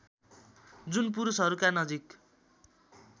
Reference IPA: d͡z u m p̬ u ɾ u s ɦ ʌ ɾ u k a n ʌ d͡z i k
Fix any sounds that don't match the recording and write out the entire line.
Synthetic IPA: d͡z u n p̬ u ɾ u s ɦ ʌ ɾ u k a n ʌ d͡z i k